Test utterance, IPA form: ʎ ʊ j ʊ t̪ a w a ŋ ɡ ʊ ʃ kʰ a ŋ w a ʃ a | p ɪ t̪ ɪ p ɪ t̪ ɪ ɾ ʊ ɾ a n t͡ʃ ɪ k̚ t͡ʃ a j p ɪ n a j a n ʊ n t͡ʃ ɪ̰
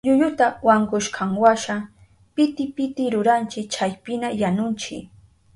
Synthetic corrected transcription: ʎ ʊ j ʊ t̪ a w a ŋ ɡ ʊ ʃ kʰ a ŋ w a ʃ a | p ɪ t̪ ɪ p ɪ t̪ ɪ ɾ ʊ ɾ a n t͡ʃ ɪ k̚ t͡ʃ a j p ɪ n a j a n ʊ n t͡ʃ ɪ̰